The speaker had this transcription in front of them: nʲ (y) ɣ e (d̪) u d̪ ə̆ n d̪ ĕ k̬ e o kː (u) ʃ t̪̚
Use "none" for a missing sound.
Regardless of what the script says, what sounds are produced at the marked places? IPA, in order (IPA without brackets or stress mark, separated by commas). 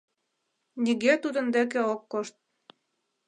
i, t̪, o